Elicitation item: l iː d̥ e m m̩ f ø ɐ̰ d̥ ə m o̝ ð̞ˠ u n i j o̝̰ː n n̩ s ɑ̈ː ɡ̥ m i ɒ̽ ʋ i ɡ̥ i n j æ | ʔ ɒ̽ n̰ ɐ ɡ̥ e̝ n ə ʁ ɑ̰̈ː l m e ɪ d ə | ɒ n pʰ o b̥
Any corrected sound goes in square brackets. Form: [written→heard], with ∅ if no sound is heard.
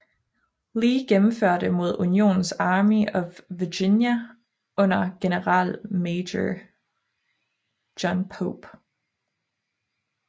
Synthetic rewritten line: l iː [d̥→ɡ̥] e m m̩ f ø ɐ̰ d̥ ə m o̝ ð̞ˠ u n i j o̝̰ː n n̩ s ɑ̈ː [ɡ̥→∅] m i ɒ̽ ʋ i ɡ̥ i n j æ | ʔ [ɒ̽→ɔ̽] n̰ ɐ ɡ̥ e̝ n ə ʁ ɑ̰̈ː l m e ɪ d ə | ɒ n pʰ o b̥